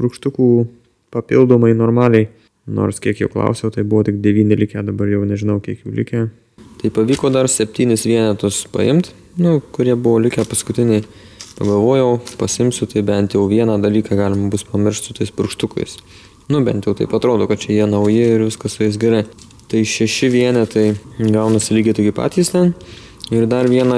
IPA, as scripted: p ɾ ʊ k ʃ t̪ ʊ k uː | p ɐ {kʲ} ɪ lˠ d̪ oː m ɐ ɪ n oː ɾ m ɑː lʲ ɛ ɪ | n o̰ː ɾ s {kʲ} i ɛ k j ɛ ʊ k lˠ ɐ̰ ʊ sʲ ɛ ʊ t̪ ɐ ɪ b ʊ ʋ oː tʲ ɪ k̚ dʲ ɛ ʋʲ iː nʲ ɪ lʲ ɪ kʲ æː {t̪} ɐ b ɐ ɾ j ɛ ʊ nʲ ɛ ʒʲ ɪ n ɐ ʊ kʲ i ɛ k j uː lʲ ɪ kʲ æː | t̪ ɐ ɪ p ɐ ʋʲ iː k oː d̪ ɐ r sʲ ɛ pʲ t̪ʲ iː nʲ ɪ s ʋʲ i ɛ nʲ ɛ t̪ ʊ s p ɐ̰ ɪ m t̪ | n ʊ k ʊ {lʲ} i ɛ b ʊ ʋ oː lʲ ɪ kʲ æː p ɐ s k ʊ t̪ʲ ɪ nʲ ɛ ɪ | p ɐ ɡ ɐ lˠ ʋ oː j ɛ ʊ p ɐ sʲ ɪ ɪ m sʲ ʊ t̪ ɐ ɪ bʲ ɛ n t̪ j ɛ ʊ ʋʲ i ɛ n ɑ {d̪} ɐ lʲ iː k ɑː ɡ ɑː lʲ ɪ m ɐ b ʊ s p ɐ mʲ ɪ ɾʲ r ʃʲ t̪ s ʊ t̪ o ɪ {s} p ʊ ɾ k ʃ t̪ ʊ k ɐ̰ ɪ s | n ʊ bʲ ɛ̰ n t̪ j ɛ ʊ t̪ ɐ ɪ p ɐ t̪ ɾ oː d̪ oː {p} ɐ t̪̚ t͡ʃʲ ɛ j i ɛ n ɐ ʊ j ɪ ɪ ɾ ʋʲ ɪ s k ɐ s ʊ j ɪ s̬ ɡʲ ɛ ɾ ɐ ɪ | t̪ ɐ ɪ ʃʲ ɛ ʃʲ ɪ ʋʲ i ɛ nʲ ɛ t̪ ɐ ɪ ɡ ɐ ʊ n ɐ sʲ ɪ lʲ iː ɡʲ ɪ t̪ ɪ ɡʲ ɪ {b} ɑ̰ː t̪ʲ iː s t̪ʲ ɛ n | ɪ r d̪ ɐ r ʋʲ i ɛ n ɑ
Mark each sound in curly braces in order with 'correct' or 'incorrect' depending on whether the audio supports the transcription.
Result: incorrect, correct, incorrect, incorrect, correct, correct, incorrect, incorrect

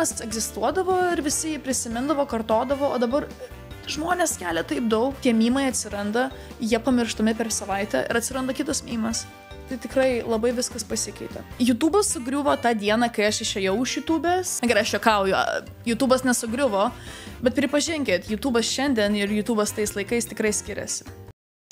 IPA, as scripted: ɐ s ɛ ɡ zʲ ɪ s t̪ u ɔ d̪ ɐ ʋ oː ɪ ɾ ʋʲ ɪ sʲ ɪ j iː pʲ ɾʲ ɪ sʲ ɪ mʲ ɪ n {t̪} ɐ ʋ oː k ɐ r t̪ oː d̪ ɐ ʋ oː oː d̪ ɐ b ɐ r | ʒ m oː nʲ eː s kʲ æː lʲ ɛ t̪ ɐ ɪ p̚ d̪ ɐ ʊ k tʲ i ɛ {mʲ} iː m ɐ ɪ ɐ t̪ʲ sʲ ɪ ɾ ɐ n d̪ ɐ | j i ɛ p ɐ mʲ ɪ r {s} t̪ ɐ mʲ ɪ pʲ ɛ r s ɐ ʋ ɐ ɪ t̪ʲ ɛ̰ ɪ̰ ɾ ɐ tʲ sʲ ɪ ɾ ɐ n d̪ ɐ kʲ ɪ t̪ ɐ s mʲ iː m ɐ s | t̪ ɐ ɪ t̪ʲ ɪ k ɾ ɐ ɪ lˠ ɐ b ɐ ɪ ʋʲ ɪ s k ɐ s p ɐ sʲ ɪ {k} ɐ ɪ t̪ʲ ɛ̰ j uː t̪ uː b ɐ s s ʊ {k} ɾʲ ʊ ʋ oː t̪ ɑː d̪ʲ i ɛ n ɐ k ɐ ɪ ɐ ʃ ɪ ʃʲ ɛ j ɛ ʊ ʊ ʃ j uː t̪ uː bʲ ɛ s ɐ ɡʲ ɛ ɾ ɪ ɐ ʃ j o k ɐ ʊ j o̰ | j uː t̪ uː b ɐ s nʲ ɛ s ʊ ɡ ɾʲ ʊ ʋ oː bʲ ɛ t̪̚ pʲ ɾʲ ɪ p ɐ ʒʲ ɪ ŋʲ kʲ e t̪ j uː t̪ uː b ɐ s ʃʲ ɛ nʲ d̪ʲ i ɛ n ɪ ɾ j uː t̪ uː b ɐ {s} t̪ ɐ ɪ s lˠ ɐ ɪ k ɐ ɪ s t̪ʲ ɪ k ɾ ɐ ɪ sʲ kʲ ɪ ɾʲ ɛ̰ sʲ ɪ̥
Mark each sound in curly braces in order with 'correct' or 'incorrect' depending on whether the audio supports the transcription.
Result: incorrect, correct, incorrect, correct, incorrect, correct

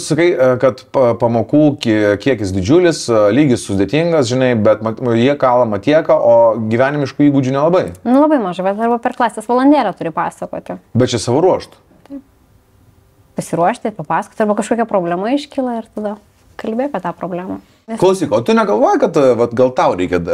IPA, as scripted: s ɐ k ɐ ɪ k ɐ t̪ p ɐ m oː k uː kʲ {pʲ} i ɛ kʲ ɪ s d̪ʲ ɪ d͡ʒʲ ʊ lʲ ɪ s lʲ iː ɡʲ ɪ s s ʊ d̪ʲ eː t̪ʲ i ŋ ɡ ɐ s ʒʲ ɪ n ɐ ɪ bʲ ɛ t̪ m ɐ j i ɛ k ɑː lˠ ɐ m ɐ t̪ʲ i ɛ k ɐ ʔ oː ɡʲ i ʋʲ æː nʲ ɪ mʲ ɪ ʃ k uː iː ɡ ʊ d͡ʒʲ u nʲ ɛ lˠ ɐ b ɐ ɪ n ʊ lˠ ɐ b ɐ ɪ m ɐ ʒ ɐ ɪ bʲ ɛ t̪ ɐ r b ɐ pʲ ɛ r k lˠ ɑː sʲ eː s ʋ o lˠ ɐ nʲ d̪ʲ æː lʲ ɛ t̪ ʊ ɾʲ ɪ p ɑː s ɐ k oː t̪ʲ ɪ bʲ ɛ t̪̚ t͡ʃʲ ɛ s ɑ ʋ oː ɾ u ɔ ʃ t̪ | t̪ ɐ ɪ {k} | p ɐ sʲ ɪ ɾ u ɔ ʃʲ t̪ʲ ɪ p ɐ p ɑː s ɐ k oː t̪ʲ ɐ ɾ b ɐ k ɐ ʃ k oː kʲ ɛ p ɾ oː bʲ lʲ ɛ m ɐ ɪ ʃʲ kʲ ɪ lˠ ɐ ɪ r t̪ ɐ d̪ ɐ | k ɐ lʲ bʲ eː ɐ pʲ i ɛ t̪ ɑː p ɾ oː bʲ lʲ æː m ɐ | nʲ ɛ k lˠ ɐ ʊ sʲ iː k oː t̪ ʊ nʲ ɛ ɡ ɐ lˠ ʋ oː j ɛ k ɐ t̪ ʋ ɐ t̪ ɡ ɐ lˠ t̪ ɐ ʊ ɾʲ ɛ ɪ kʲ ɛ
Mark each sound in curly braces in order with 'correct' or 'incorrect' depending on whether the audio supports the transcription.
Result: incorrect, incorrect

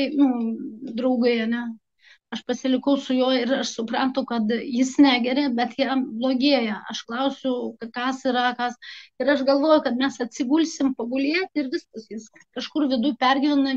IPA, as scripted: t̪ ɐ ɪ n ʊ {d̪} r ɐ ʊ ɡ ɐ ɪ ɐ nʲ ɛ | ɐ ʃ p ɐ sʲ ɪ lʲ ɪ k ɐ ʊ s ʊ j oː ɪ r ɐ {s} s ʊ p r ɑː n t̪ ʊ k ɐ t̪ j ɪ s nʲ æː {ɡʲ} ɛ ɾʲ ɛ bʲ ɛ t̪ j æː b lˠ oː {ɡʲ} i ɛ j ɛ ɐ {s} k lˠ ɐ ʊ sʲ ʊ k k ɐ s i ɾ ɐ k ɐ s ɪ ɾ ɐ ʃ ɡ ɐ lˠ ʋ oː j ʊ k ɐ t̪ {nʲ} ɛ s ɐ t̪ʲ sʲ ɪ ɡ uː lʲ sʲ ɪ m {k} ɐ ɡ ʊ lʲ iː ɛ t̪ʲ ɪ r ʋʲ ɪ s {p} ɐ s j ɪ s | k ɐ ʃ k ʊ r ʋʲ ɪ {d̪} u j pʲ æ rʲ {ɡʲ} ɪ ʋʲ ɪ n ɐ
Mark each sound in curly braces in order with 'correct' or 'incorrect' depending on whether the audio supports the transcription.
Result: correct, incorrect, correct, correct, incorrect, incorrect, incorrect, incorrect, correct, correct

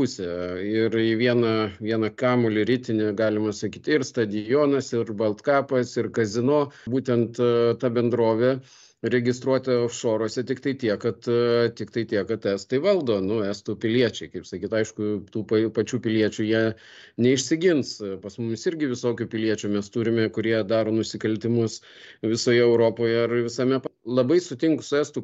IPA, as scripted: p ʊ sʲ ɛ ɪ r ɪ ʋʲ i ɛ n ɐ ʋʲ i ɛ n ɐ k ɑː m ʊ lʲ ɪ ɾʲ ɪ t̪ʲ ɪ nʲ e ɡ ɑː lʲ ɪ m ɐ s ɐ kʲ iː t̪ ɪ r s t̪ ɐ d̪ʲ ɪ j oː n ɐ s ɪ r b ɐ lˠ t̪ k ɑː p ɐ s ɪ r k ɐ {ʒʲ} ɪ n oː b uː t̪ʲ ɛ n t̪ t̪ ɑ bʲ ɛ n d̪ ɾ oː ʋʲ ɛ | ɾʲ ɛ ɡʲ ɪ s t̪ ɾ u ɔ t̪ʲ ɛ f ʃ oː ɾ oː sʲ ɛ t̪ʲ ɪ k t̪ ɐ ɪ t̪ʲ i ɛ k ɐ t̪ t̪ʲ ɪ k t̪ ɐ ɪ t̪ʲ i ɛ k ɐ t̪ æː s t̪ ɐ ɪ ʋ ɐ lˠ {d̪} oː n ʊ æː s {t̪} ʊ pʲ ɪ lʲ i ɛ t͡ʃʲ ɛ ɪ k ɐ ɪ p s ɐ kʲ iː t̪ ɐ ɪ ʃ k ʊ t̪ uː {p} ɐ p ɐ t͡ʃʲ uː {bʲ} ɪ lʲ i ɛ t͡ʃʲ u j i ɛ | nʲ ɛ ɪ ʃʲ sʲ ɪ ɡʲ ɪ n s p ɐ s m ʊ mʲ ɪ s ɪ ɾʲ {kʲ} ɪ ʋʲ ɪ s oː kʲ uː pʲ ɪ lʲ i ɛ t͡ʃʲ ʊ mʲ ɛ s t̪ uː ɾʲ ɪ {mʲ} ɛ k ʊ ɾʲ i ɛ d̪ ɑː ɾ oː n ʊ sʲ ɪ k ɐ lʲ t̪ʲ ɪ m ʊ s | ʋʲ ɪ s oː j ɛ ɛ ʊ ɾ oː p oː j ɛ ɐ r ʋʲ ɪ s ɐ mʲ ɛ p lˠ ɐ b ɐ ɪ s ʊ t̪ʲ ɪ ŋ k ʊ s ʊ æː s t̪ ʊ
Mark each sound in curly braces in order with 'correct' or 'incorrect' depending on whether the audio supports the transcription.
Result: incorrect, correct, correct, correct, incorrect, incorrect, correct

